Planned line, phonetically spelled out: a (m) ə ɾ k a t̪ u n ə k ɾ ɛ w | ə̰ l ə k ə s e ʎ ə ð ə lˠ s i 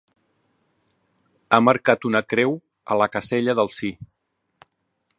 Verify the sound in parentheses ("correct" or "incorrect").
correct